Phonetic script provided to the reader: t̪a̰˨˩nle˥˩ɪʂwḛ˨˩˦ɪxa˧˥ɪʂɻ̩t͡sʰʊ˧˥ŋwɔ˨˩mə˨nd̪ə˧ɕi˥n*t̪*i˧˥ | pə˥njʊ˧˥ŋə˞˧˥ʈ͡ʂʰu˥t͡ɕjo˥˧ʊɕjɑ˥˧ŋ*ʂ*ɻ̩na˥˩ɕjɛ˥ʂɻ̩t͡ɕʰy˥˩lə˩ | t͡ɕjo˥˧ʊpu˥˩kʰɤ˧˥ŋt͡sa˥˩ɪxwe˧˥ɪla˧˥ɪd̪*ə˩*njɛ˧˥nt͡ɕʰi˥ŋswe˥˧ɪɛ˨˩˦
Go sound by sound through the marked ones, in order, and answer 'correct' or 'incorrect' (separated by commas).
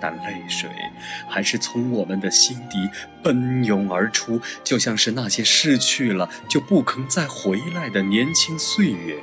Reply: correct, correct, correct